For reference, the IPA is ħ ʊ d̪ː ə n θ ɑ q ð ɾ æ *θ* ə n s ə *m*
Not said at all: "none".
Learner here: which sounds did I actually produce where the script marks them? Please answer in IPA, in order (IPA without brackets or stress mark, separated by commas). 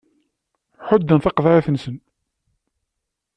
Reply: θ, n